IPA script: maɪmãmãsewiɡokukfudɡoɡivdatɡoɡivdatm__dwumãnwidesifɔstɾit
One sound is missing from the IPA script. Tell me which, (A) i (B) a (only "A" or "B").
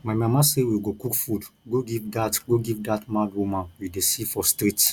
B